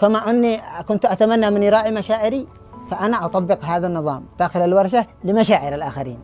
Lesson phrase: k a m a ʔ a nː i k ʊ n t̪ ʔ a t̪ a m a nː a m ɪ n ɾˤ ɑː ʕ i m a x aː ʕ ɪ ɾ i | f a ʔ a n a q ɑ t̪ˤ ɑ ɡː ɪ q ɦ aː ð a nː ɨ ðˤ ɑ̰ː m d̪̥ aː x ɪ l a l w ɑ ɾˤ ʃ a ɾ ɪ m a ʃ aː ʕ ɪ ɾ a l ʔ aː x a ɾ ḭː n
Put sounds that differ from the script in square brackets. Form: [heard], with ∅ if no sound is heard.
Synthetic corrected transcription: k a m a ʔ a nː i k ʊ n t̪ ʔ a t̪ a m a nː a m ɪ n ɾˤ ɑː ʕ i m a [ʃ] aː ʕ ɪ ɾ i | f a ʔ a n a [ʔ] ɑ t̪ˤ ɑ [bː] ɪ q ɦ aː ð a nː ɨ ðˤ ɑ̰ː m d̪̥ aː x ɪ l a l w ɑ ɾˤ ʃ a [l] ɪ m a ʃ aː ʕ ɪ ɾ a l ʔ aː x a ɾ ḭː n